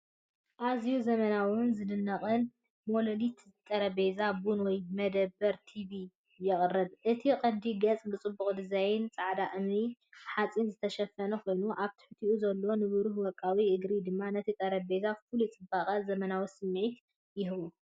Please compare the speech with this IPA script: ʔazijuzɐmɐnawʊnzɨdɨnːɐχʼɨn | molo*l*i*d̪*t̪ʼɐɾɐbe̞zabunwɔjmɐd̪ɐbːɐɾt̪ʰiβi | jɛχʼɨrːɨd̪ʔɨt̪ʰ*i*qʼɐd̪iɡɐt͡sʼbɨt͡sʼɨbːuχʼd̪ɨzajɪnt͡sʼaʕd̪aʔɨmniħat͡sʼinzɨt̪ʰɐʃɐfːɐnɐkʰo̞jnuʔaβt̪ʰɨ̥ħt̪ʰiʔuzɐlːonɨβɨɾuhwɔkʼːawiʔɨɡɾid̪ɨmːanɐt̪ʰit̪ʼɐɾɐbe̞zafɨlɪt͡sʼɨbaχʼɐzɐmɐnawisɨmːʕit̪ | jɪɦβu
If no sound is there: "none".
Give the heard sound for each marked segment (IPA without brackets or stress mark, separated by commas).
l, t̪, i